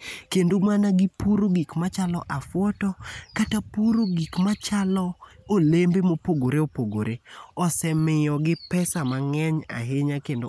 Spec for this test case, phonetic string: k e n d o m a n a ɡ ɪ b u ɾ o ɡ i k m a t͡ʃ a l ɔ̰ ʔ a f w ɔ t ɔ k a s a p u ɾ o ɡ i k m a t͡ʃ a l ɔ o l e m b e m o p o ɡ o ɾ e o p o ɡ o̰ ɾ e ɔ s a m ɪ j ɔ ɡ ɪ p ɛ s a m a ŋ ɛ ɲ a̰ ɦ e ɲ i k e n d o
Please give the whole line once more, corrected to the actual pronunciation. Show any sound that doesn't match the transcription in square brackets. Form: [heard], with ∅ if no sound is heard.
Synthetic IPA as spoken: k e n d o m a n a ɡ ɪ [p] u ɾ o ɡ i k m a t͡ʃ a l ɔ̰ ʔ a f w ɔ t ɔ k a [t] a p u ɾ o ɡ i k m a t͡ʃ a l ɔ o l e m b e m o p o ɡ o ɾ e o p o ɡ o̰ ɾ e ɔ s [ɛ] m ɪ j ɔ ɡ ɪ p ɛ s a m a ŋ ɛ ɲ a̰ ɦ e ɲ [a] k e n d o